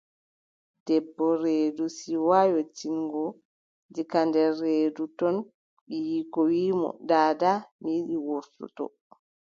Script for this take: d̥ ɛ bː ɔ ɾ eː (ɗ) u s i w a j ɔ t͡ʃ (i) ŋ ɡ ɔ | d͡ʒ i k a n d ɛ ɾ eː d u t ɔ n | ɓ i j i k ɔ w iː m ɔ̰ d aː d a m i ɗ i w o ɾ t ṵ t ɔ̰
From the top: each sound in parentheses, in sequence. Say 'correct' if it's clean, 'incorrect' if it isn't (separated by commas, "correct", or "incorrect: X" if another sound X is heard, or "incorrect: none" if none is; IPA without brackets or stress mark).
incorrect: d, correct